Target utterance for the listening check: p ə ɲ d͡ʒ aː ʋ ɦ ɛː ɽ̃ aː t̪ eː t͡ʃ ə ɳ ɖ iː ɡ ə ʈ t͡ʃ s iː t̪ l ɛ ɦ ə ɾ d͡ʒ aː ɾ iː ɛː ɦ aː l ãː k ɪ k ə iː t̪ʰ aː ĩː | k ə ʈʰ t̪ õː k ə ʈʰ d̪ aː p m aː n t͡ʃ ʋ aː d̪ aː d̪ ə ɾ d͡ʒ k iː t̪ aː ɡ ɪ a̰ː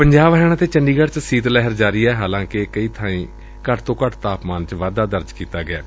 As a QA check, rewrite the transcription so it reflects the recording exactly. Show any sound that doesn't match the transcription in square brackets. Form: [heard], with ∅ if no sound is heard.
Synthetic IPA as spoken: p ə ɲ d͡ʒ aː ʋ ɦ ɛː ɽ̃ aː t̪ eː t͡ʃ ə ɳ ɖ iː ɡ ə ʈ t͡ʃ s iː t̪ l ɛ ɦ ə ɾ d͡ʒ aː ɾ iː ɛː ɦ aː l ãː k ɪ k ə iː t̪ʰ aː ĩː | k ə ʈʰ t̪ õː k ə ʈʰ [t̪] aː p m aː n t͡ʃ ʋ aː d̪ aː d̪ ə ɾ d͡ʒ k iː t̪ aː ɡ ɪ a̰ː